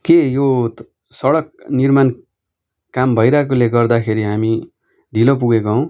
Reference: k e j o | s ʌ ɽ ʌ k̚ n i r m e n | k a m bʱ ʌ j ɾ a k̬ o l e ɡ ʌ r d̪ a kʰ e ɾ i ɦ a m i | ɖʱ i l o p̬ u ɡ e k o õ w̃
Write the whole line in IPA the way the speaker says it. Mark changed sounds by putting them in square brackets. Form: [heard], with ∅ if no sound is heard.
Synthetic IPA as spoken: k e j o | s ʌ ɽ ʌ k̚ n i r m [a] n | k a m bʱ ʌ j ɾ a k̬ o l e ɡ ʌ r d̪ a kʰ e ɾ i ɦ a m i | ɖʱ i l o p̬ u ɡ e k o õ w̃